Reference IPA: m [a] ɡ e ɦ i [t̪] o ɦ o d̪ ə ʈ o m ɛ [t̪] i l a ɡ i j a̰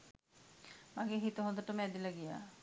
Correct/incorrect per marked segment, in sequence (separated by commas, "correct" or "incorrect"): correct, correct, incorrect